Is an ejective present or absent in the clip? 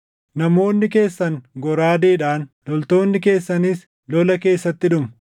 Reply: absent